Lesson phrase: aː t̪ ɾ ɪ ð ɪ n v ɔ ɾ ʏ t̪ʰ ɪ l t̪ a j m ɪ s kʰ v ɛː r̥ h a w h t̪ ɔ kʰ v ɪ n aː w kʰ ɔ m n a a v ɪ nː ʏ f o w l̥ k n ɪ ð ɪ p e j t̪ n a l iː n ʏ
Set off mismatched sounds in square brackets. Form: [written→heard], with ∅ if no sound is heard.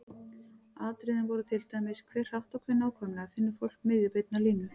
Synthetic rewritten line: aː t̪ ɾ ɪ ð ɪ n v ɔ ɾ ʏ t̪ʰ ɪ l t̪ a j m ɪ s kʰ v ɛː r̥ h a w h t̪ ɔ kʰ v ɪ n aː w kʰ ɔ m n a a [v→f] ɪ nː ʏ f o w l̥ k [n→m] ɪ ð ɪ p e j t̪ n a l iː n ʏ